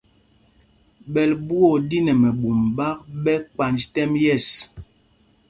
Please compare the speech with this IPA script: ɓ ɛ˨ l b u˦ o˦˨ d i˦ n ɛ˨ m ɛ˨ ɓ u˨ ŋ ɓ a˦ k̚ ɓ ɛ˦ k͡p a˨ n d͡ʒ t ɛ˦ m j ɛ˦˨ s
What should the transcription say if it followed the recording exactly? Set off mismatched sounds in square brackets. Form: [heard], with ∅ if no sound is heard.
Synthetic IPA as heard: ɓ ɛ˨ l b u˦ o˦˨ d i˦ n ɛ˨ m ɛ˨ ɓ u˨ [m] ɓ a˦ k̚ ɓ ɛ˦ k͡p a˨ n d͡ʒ t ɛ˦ m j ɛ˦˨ s

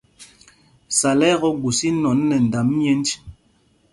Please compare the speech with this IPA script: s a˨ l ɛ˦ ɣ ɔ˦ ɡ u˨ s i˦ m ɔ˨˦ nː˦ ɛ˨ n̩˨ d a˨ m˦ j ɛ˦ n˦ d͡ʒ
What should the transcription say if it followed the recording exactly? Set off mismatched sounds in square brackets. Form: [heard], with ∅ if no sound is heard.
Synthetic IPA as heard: s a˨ l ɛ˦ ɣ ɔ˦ ɡ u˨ s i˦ [n] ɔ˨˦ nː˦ ɛ˨ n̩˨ d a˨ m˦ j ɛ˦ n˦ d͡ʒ

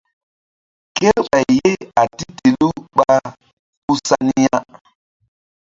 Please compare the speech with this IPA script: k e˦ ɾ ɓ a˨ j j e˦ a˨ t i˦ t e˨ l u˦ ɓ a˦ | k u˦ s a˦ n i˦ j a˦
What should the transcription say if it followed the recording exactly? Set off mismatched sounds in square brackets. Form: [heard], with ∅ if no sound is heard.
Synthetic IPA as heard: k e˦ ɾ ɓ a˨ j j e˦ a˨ t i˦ t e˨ l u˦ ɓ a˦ | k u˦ s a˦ n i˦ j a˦

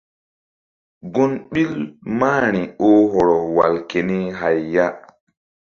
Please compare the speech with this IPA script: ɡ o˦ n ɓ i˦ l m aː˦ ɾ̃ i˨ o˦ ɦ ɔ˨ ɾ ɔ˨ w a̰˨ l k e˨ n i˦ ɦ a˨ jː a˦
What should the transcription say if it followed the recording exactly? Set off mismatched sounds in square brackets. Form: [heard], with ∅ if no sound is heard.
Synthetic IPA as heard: ɡ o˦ n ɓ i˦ l m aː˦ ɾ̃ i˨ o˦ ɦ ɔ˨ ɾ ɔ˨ w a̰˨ l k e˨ n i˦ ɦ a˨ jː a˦

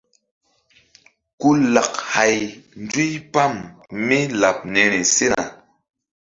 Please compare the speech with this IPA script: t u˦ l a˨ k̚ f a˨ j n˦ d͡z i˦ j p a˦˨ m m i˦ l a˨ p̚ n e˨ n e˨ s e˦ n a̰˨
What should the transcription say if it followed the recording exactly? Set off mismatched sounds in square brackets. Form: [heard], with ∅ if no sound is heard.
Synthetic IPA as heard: [k] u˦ l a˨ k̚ [h] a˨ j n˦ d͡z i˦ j p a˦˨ m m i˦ l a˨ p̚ n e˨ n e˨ s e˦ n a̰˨

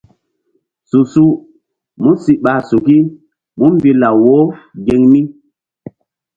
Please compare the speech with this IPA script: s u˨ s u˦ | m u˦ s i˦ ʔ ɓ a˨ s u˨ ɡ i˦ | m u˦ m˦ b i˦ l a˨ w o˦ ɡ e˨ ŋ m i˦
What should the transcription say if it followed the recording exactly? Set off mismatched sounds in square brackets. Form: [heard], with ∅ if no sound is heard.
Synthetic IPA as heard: s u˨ s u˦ | m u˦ s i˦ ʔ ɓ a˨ s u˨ [k] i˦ | m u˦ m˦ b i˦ l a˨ w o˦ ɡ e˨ ŋ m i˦

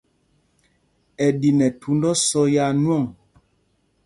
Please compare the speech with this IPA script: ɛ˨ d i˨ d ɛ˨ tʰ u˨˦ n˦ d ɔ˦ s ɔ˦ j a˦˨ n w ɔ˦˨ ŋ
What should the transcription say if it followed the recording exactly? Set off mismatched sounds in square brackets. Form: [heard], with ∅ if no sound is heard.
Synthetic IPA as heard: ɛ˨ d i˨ [n] ɛ˨ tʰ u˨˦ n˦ d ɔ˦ s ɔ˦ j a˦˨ n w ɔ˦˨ ŋ

